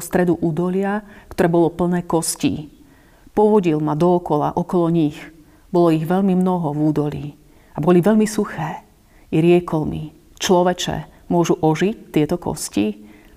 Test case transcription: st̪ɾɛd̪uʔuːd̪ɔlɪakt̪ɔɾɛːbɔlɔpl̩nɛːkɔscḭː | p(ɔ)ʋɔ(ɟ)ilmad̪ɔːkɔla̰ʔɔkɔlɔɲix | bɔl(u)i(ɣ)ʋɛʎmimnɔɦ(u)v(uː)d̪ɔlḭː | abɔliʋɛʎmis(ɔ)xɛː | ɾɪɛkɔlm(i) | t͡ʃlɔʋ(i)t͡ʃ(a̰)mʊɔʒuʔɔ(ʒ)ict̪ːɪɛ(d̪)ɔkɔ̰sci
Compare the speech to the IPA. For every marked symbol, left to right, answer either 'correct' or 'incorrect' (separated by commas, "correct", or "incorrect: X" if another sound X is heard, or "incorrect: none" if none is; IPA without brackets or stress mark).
correct, correct, incorrect: ɔ, correct, incorrect: ɔ, correct, incorrect: u, correct, incorrect: ɛ, incorrect: ɛ̰, correct, incorrect: t̪